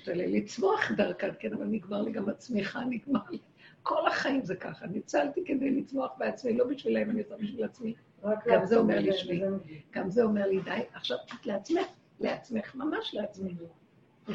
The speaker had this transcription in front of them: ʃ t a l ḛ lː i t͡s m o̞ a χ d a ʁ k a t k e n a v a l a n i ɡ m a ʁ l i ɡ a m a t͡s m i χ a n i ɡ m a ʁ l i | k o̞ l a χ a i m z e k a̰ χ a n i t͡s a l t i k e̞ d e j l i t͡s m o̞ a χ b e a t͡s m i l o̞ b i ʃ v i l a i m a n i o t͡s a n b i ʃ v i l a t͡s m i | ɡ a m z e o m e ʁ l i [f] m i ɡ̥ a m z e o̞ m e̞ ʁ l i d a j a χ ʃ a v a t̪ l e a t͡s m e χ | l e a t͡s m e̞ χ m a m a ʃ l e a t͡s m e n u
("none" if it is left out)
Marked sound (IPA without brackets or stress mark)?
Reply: ʃ